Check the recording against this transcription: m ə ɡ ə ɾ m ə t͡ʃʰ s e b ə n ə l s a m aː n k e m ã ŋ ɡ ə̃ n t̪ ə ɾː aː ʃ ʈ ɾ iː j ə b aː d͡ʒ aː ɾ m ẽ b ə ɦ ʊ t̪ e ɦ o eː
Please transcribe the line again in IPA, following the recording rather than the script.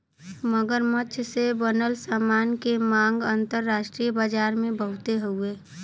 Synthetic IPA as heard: m ə ɡ ə ɾ m ə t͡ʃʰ s e b ə n ə l s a m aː n k e m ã ŋ ɡ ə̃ n t̪ ə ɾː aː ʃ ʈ ɾ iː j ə b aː d͡ʒ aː ɾ m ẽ b ə ɦ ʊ t̪ e ɦ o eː